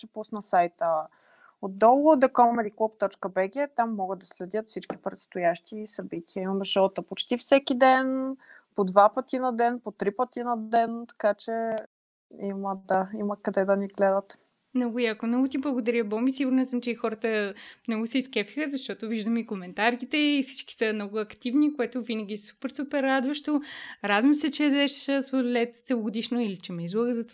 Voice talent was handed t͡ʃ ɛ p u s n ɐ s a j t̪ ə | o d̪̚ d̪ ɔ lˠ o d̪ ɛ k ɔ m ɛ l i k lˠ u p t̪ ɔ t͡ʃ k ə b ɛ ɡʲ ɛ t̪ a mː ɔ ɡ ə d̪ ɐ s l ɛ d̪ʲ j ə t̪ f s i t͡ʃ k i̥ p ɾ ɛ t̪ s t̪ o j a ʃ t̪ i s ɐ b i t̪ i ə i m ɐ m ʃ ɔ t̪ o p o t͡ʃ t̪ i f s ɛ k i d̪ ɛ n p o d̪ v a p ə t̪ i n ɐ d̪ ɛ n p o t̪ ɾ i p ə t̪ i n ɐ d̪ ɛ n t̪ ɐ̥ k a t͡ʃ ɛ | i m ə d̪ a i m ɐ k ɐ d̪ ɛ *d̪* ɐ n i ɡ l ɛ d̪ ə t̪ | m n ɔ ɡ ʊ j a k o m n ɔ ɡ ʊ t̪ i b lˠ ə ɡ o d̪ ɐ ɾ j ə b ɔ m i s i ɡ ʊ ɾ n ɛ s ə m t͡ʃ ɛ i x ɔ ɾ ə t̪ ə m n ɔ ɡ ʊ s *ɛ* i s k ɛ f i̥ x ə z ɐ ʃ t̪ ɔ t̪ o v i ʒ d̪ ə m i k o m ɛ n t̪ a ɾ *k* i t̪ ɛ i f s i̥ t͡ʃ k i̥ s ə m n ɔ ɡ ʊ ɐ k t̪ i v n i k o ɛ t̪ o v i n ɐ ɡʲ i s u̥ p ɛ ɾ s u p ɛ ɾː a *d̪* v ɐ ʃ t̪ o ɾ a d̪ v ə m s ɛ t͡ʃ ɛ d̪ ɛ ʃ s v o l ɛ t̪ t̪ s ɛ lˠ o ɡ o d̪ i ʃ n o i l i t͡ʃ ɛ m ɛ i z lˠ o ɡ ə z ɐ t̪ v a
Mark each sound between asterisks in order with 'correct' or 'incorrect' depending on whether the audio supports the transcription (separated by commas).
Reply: correct, correct, correct, correct